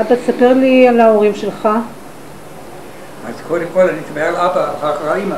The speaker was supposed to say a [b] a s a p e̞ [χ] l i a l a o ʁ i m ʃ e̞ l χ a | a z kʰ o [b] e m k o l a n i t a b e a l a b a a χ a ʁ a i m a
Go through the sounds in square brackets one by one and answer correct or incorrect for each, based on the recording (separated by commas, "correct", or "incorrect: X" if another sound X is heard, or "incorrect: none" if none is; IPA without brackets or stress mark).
correct, incorrect: ʁ, incorrect: d